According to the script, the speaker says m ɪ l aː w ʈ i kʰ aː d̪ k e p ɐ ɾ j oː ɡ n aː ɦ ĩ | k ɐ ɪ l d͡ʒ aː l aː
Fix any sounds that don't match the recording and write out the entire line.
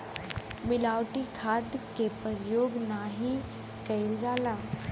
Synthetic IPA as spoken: m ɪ l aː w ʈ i kʰ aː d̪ k e p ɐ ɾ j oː ɡ n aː ɦ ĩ | k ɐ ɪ l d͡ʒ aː l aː